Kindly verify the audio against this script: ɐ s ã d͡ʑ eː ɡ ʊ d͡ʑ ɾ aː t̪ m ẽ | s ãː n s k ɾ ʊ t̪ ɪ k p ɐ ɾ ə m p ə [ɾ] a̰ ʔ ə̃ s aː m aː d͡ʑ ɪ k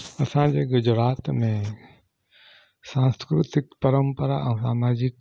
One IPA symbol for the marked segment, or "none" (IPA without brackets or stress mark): ɾ